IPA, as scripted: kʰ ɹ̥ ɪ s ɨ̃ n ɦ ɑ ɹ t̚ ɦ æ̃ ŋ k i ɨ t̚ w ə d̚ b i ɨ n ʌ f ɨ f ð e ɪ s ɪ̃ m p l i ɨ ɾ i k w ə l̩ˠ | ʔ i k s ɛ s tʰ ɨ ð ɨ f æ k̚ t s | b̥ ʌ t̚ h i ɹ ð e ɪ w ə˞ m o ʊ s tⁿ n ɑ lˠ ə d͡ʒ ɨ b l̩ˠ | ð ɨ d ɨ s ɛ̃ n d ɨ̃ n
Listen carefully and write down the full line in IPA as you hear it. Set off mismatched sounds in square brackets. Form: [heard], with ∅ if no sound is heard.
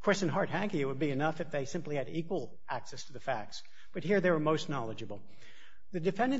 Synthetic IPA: kʰ ɹ̥ ɪ s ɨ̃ n ɦ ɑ ɹ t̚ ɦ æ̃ ŋ k i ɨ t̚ w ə d̚ b i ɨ n ʌ f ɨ f ð e ɪ s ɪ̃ m p l i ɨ ɾ i k w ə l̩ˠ | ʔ [æ] k s ɛ s tʰ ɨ ð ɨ f æ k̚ t s | b̥ ʌ t̚ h i ɹ ð e ɪ w ə˞ m o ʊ s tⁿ n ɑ lˠ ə d͡ʒ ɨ b l̩ˠ | ð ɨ d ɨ [f] ɛ̃ n d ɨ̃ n